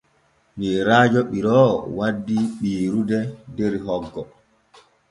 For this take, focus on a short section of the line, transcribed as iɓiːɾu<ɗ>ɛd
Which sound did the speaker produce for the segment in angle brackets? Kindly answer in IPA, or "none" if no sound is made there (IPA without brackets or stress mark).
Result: d